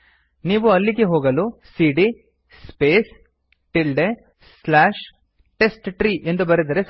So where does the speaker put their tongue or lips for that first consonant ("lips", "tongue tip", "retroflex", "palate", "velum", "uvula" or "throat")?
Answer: tongue tip